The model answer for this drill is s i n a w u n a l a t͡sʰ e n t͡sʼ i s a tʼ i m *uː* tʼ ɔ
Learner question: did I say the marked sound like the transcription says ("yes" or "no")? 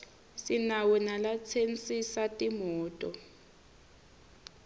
no